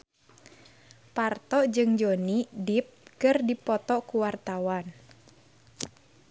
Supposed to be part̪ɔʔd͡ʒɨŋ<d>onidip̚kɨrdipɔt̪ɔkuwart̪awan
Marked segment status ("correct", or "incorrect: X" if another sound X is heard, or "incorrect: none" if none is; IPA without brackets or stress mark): incorrect: d͡ʒ